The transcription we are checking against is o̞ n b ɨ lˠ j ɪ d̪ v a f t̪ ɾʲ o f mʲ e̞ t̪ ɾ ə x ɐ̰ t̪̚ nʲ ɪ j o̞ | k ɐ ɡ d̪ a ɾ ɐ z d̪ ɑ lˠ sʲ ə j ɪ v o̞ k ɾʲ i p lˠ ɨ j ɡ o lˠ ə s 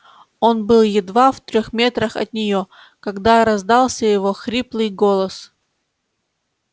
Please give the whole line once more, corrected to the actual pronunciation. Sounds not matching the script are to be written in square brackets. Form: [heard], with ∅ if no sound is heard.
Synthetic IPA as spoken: o̞ n b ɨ lˠ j ɪ d̪ v a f t̪ ɾʲ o [x] mʲ e̞ t̪ ɾ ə x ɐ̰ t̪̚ nʲ ɪ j o̞ | k ɐ ɡ d̪ a ɾ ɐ z d̪ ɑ lˠ sʲ ə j ɪ v o̞ [x] ɾʲ i p lˠ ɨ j ɡ o lˠ ə s